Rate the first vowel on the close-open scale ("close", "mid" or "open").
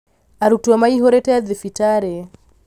open